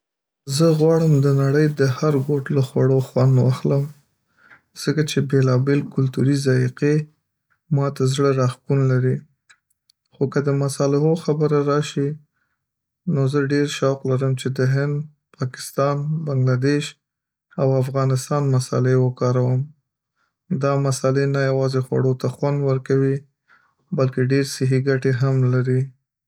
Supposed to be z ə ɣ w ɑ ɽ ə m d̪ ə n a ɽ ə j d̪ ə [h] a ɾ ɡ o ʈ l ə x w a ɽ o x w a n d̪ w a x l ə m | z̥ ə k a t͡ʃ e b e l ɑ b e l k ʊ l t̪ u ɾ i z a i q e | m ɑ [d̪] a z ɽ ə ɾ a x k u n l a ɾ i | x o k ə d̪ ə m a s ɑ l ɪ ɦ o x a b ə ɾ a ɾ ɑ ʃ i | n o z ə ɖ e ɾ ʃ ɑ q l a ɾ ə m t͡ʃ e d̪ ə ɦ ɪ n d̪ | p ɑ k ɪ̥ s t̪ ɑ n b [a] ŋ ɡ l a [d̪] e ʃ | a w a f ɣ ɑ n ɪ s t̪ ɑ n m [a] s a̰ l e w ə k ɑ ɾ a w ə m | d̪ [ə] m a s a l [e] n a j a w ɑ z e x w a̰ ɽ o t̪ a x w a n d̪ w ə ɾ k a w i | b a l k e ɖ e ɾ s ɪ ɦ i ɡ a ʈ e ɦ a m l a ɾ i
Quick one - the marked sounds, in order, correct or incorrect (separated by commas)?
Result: correct, incorrect, correct, correct, correct, incorrect, correct